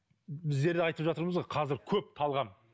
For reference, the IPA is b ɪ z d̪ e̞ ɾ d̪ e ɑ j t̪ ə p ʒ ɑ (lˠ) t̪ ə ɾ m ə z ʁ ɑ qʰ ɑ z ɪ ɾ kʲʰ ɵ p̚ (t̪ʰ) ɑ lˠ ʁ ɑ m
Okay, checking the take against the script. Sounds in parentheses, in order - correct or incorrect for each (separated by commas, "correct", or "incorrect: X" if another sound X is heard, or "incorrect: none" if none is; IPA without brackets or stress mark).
incorrect: none, correct